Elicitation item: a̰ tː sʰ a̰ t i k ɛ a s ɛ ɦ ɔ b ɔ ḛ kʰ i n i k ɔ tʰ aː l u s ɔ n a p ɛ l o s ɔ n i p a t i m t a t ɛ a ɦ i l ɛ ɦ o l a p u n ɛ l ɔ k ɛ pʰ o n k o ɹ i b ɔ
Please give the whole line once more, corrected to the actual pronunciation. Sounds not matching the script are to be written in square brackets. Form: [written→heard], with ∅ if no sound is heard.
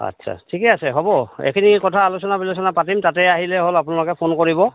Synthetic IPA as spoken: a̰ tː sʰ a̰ [t→tʰ] i k ɛ a s ɛ ɦ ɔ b ɔ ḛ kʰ i n i k ɔ tʰ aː l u s ɔ n a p [ɛ→i] l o s ɔ n [i→a] p a t i m t a t ɛ a ɦ i l ɛ ɦ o l a p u n [ɛ→a] l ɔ k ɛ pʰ o n k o ɹ i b ɔ